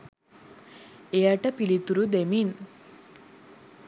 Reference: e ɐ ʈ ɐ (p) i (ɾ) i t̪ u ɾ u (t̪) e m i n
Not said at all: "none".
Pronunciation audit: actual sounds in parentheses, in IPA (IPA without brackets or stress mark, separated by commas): p, l, d̪